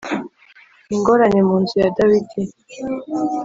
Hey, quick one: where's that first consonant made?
velum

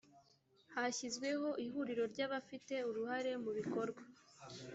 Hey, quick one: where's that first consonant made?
throat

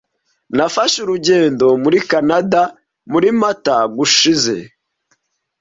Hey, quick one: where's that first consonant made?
tongue tip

